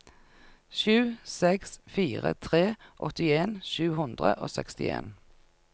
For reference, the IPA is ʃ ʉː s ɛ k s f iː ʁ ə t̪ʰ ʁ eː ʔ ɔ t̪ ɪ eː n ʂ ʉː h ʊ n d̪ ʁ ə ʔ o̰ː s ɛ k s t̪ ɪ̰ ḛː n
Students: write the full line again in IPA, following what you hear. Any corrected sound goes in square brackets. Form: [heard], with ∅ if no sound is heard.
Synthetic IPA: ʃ ʉː s ɛ k s f iː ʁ ə t̪ʰ ʁ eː ʔ ɔ t̪ ɪ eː n [ʃ] ʉː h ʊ n d̪ ʁ ə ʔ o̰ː s ɛ k s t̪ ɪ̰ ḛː n